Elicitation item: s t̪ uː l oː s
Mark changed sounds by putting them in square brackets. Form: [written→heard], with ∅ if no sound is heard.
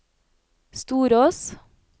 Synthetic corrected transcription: s t̪ uː [l→ɾ] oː s